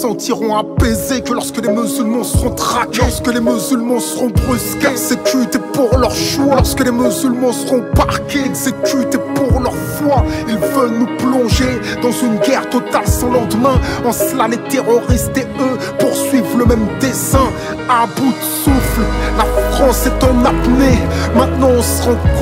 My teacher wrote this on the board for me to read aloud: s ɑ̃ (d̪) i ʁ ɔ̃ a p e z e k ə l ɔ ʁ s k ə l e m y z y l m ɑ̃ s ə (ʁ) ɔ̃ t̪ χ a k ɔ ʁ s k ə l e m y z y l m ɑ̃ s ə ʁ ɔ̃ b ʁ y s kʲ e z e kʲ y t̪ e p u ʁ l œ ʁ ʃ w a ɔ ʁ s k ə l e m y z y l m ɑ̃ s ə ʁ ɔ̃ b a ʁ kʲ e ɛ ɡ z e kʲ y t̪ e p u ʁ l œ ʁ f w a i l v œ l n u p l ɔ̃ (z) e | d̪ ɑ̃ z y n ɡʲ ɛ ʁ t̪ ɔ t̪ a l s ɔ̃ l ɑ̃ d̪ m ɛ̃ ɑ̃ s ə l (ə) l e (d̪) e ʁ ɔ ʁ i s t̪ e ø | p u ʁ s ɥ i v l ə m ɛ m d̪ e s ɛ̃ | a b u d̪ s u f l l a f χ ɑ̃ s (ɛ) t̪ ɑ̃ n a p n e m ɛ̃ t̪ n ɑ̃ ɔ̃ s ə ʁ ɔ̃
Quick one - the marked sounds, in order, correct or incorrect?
incorrect, correct, incorrect, incorrect, incorrect, correct

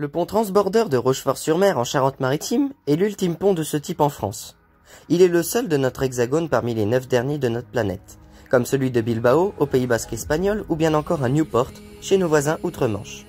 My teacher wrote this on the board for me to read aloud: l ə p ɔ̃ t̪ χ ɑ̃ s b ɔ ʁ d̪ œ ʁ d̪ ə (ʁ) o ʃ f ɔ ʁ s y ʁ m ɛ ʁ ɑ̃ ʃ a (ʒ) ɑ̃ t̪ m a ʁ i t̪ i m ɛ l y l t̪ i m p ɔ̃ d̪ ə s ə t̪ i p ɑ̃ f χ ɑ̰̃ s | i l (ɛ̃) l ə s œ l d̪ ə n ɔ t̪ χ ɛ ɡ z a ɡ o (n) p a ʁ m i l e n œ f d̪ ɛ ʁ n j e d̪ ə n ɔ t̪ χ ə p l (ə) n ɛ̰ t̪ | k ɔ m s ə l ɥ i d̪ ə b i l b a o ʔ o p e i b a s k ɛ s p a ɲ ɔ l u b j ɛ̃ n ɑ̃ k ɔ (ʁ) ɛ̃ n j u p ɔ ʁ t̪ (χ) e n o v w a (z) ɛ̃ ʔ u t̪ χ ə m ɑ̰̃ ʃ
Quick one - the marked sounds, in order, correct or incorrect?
correct, incorrect, incorrect, correct, incorrect, correct, incorrect, correct

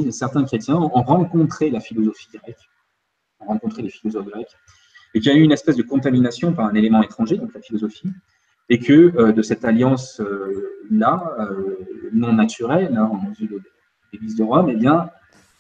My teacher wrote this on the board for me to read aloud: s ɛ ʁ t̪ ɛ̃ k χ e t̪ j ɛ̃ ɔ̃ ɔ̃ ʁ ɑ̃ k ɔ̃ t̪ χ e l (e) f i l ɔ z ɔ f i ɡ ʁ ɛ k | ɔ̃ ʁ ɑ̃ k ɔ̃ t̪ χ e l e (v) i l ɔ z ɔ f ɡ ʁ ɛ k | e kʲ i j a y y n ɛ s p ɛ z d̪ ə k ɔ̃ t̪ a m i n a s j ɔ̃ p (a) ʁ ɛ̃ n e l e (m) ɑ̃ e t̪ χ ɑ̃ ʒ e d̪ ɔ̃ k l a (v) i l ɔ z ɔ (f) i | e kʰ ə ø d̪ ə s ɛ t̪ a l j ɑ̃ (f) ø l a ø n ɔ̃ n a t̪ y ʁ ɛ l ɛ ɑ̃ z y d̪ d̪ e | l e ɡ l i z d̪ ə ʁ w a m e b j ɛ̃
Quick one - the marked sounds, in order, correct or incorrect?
incorrect, incorrect, correct, correct, incorrect, correct, incorrect

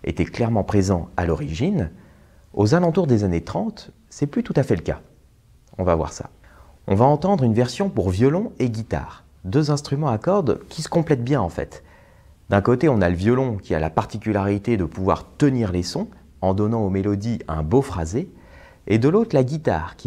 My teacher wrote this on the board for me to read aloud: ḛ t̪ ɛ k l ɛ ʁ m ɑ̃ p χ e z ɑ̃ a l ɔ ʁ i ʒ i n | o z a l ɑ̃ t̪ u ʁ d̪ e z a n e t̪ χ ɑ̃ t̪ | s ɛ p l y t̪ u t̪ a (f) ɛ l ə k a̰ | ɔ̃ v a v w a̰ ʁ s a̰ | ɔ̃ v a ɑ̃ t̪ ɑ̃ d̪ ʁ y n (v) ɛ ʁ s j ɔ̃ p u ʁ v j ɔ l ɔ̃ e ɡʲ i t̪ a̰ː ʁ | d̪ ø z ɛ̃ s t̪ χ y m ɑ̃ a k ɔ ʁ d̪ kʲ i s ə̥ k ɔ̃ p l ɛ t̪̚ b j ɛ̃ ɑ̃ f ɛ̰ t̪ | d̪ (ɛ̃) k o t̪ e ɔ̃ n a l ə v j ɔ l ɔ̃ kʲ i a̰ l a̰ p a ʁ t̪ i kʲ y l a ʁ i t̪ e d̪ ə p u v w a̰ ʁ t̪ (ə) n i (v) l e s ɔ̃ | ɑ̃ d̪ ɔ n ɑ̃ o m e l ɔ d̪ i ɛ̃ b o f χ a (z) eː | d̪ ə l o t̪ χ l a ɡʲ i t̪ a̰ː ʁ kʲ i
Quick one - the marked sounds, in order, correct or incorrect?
correct, correct, correct, correct, incorrect, correct

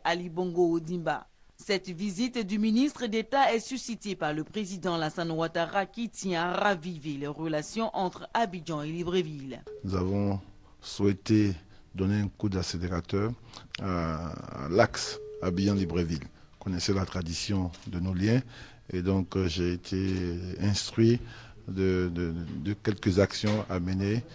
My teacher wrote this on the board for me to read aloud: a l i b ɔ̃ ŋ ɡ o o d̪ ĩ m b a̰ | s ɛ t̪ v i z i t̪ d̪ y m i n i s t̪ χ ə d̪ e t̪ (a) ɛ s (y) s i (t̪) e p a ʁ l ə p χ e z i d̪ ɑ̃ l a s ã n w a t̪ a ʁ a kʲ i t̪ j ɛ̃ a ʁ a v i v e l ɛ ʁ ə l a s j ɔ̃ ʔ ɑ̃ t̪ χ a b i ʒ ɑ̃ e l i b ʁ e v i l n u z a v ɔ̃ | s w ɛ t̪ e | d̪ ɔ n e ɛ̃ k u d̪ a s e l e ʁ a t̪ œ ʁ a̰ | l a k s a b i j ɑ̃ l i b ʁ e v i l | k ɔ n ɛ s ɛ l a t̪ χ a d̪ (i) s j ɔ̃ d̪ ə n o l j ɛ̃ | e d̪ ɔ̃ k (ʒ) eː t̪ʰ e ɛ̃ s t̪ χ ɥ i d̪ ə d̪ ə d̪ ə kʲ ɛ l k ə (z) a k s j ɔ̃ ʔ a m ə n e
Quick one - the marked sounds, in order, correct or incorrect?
correct, correct, correct, correct, correct, correct

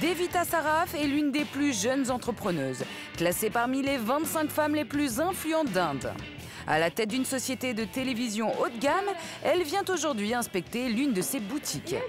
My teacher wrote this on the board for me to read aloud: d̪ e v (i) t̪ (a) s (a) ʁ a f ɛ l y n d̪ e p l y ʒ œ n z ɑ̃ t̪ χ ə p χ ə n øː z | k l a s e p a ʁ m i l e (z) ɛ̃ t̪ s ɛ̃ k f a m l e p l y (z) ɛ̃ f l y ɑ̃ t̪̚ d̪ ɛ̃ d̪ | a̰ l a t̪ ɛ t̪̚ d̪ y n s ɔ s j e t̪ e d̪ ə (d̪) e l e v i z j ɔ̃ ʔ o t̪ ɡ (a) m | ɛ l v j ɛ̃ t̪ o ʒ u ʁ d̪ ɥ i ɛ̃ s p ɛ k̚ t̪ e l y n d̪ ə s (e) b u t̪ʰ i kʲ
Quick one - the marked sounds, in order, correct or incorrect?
correct, correct, correct, incorrect, correct, incorrect, correct, correct

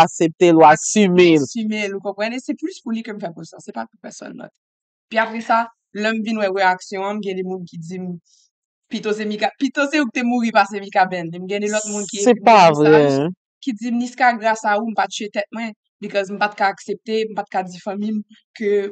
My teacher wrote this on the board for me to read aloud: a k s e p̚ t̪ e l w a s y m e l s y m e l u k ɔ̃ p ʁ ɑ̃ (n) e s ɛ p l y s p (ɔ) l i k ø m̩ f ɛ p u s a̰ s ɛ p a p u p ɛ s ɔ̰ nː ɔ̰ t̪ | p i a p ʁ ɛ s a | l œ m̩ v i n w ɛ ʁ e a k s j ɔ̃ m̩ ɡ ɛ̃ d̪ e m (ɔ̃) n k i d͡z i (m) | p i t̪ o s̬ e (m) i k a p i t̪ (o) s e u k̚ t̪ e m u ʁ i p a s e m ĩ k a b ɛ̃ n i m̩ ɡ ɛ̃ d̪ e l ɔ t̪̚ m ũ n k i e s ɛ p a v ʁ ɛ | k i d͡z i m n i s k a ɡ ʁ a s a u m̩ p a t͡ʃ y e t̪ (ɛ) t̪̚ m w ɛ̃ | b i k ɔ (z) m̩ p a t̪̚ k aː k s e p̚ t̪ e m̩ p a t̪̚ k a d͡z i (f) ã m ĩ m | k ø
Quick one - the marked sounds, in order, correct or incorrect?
correct, incorrect, incorrect, correct, correct, correct, correct, correct, correct

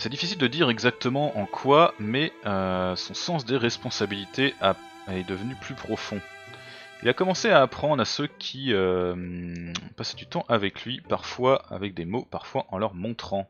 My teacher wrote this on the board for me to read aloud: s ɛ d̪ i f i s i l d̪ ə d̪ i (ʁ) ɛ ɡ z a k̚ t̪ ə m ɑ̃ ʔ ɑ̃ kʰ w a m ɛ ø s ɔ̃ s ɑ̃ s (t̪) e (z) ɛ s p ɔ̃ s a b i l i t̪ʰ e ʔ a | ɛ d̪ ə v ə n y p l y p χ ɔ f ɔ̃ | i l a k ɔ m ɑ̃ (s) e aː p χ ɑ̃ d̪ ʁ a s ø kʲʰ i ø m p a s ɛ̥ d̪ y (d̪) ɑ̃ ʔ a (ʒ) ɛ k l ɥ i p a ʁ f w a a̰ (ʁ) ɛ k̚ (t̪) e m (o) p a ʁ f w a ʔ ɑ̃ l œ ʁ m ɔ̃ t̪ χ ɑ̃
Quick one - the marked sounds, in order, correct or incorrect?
correct, incorrect, incorrect, correct, incorrect, incorrect, incorrect, incorrect, correct

